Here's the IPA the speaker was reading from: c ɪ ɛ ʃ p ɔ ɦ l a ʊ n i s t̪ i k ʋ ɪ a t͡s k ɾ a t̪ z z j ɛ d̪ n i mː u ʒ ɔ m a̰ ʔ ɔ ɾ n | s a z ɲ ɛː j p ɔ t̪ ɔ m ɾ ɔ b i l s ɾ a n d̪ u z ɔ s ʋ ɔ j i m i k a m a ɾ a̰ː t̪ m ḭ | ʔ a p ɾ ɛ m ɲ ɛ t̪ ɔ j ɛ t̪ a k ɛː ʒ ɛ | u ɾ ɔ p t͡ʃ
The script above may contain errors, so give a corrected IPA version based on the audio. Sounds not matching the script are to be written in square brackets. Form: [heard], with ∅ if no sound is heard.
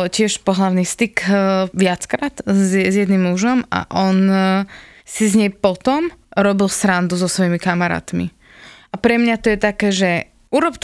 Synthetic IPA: c ɪ ɛ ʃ p ɔ ɦ l a ʊ n i s t̪ i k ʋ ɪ a t͡s k ɾ a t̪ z z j ɛ d̪ n i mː u ʒ ɔ m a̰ ʔ ɔ [∅] n | s [i] z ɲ [ɛ] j p ɔ t̪ ɔ m ɾ ɔ b i l s ɾ a n d̪ u z ɔ s ʋ ɔ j i m i k a m a ɾ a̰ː t̪ m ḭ | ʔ a p ɾ ɛ m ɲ [a] t̪ ɔ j ɛ t̪ a k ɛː ʒ ɛ | u ɾ ɔ p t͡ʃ